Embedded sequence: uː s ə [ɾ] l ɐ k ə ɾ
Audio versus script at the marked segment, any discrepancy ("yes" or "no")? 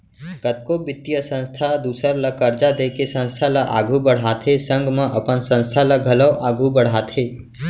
no